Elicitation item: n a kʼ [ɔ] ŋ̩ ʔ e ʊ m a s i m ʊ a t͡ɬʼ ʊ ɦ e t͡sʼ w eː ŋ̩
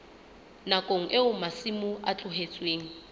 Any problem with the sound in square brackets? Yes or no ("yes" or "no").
yes